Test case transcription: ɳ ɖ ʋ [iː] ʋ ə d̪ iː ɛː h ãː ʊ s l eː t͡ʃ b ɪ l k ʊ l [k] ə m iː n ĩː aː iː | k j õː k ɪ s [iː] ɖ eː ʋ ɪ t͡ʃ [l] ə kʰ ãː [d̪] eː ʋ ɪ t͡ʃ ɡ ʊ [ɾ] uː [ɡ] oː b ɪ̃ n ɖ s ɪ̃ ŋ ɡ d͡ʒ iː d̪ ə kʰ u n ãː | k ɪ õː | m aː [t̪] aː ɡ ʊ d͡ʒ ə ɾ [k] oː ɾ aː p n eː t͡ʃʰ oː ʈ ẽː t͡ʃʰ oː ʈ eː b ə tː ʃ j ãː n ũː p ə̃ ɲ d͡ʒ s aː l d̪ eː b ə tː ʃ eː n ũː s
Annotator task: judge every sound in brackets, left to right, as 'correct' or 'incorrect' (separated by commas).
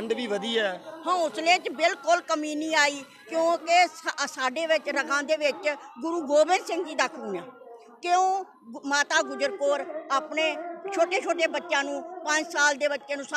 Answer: correct, correct, incorrect, incorrect, correct, correct, correct, correct, correct